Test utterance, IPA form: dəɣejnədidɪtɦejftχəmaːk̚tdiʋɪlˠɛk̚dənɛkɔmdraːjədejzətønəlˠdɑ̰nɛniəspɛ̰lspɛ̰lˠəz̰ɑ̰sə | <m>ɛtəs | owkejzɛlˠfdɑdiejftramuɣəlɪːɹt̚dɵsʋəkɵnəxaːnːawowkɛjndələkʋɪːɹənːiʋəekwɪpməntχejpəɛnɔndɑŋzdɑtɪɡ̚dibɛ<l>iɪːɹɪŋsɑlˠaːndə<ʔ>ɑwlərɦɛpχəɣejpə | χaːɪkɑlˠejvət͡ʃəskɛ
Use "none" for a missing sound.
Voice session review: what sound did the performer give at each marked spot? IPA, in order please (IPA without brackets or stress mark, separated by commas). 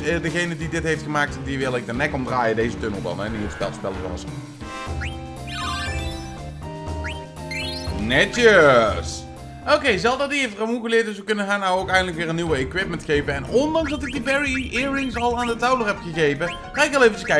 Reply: n, ɹ, t